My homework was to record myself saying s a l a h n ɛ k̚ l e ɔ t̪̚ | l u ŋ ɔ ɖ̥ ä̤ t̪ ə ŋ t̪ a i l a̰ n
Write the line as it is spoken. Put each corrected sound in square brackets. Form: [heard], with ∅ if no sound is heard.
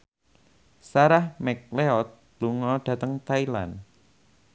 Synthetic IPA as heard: s a [ɾ] a h [m] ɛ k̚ l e ɔ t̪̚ | l u ŋ ɔ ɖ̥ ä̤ t̪ ə ŋ t̪ a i l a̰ n